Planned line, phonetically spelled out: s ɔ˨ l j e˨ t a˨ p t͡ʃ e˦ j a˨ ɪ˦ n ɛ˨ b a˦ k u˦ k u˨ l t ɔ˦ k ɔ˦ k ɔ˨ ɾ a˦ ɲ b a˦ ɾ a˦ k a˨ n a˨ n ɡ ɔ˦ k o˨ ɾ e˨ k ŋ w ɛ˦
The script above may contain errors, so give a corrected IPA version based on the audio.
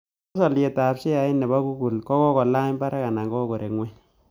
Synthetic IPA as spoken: s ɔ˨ l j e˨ t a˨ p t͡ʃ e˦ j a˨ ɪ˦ n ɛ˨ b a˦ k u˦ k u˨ l k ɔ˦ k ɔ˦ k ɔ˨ l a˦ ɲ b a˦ ɾ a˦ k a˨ n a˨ ŋ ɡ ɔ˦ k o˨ ɾ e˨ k ŋ w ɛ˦